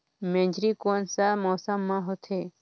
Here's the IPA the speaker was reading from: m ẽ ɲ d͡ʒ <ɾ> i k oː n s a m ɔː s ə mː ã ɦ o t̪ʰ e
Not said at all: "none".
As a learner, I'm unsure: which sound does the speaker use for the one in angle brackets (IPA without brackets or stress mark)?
ɾ